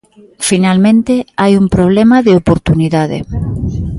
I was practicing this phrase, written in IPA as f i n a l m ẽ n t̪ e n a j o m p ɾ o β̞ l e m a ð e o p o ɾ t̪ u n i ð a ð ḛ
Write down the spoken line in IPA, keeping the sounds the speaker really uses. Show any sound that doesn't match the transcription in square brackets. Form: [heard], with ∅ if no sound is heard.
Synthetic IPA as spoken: f i n a l m ẽ n t̪ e [∅] a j [u] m p ɾ o β̞ l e m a ð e o p o ɾ t̪ u n i ð a ð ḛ